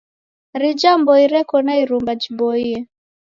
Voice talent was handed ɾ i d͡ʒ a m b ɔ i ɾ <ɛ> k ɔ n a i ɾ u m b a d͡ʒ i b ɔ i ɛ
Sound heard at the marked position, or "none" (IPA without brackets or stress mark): ɛ